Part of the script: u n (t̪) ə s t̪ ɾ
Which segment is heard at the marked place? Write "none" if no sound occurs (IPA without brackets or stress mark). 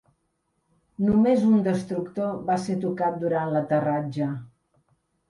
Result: d̪